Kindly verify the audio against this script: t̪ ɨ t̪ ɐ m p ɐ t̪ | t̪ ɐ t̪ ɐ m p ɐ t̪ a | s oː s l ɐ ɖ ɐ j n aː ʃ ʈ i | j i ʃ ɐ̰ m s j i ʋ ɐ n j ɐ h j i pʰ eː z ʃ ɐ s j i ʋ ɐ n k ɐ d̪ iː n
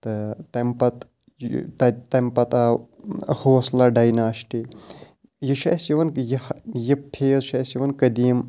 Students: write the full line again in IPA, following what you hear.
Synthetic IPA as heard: t̪ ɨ t̪ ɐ m p ɐ t̪ | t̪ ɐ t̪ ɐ m p ɐ t̪ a | h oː s l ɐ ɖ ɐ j n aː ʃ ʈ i | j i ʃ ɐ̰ s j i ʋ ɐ n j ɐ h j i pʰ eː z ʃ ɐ s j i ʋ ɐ n k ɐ d̪ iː m